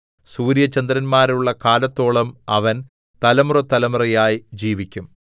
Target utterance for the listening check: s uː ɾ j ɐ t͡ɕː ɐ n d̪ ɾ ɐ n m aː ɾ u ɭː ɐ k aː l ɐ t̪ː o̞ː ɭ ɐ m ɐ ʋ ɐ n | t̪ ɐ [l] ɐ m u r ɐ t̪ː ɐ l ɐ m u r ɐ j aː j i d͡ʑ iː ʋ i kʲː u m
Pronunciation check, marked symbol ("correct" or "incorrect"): correct